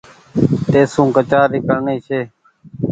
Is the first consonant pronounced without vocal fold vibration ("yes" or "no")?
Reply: yes